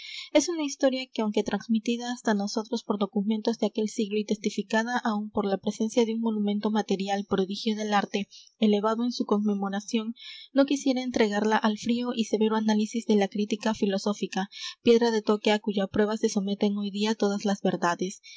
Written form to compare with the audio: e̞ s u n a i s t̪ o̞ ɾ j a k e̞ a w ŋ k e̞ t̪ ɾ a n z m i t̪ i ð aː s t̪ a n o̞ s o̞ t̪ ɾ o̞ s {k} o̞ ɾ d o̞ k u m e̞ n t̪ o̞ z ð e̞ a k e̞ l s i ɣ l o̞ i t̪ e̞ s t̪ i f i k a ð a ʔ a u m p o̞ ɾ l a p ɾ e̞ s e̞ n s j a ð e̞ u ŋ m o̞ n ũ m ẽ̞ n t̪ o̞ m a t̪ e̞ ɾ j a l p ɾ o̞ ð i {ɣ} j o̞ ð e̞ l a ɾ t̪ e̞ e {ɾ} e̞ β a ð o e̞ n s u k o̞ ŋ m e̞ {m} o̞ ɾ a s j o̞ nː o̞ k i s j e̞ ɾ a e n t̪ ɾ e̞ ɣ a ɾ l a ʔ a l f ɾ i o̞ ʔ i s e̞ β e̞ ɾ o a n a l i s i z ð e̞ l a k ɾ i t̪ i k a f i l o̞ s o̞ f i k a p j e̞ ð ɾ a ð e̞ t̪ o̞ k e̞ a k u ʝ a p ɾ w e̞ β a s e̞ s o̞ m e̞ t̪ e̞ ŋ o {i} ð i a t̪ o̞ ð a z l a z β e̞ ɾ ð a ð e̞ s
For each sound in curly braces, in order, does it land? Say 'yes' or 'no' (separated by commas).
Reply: no, no, no, yes, no